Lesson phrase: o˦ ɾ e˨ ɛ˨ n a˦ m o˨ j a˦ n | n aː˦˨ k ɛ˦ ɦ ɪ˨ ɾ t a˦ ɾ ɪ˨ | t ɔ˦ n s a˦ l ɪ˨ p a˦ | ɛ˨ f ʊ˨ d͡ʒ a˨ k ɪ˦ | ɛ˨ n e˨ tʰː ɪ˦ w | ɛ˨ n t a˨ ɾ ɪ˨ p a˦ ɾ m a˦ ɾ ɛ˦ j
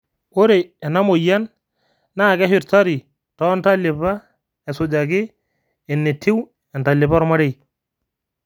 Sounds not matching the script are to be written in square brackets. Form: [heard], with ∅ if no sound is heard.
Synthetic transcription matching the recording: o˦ ɾ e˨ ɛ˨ n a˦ m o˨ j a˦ n | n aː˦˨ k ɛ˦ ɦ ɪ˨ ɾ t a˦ ɾ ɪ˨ | t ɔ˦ n [t] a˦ l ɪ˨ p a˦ | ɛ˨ [s] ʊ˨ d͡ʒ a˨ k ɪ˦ | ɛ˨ n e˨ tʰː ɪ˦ w | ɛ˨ n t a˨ [l] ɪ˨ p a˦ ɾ m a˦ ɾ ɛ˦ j

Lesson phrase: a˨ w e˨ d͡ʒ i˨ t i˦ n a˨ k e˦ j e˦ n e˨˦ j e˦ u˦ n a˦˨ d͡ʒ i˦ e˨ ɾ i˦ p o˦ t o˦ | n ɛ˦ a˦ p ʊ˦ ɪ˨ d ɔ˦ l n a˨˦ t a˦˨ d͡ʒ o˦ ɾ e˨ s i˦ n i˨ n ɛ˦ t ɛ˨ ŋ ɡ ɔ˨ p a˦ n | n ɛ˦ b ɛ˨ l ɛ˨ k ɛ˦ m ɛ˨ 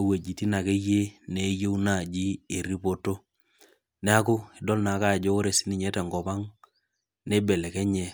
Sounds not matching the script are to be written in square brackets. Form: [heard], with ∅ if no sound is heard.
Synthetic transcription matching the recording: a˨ w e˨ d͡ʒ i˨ t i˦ n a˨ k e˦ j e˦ n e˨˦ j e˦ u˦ n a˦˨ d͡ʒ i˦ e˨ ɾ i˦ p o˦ t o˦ | n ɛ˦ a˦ [k] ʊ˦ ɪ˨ d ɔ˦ l n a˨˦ [k] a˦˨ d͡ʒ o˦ ɾ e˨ s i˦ n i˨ [ɲ] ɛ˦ t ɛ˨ ŋ ɡ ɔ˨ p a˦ [ŋ] | n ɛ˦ b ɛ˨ l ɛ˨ k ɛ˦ [ɲ] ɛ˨

